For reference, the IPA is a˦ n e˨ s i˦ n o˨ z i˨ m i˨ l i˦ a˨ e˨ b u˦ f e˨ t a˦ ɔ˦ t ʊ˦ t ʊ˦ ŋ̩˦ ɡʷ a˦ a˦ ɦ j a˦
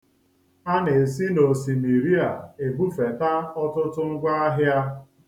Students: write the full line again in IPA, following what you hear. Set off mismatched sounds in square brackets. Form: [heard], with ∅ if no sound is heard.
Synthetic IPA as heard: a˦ n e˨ s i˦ n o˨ [s] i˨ m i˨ [ɾ] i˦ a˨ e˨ b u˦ f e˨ t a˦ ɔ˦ t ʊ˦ t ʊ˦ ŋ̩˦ ɡʷ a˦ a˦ ɦ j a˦